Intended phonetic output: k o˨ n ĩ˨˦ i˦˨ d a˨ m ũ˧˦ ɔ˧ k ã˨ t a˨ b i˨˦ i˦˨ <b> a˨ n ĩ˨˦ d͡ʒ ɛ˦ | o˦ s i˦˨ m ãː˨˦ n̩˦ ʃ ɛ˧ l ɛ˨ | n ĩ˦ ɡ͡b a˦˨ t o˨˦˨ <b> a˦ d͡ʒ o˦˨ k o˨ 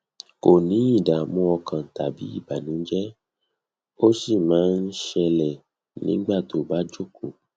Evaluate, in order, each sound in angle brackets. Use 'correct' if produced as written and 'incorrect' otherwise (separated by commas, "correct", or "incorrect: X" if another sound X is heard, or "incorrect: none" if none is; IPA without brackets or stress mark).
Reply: correct, correct